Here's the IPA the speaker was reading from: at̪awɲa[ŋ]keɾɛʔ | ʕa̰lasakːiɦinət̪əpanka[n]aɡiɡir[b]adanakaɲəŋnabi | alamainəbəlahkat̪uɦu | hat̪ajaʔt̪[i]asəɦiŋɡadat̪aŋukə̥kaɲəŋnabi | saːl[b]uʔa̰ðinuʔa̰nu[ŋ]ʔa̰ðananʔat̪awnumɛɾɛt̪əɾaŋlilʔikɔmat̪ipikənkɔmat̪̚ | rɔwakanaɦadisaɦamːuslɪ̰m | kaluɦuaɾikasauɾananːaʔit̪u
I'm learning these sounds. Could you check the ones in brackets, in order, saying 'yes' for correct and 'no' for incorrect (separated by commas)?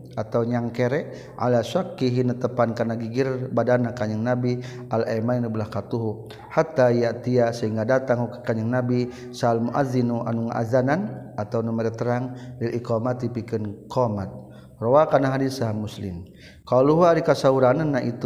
yes, yes, yes, yes, no, yes